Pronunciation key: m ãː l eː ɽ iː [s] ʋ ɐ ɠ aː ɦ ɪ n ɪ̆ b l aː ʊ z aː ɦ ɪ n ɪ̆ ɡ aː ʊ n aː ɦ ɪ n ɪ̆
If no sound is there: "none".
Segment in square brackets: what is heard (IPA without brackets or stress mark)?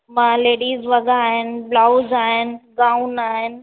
z